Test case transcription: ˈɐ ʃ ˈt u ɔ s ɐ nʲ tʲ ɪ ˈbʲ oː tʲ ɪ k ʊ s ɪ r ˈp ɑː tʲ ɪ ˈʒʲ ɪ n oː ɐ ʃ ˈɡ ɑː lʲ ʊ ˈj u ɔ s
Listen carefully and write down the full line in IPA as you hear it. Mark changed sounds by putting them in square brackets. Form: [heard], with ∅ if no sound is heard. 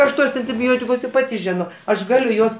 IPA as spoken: ˈɐ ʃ ˈt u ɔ s ɐ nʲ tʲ ɪ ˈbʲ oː tʲ ɪ k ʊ s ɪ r ˈp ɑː tʲ ɪ ˈʒʲ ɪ n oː ɐ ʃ ˈɡ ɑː lʲ ʊ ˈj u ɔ s